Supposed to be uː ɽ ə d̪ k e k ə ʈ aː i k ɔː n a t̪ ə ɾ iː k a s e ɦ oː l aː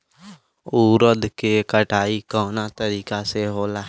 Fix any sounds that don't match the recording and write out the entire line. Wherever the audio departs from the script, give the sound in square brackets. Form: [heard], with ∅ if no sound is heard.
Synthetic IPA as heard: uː [ɾ] ə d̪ k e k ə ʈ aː i k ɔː n a t̪ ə ɾ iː k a s e ɦ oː l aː